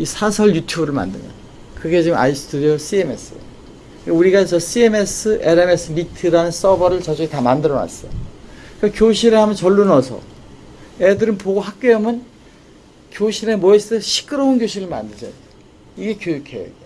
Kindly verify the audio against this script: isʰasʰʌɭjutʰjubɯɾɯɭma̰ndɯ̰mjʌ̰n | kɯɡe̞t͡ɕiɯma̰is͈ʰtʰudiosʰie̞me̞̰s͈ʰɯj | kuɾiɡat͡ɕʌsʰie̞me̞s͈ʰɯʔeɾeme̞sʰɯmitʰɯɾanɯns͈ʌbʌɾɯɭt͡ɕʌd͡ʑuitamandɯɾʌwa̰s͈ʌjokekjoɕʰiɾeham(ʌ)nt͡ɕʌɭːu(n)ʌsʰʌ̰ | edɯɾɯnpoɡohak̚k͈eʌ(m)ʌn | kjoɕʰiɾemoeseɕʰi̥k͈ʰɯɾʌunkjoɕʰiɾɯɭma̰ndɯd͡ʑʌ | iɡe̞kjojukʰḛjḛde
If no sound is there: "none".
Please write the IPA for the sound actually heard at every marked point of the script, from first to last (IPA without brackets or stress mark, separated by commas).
ʌ, n, m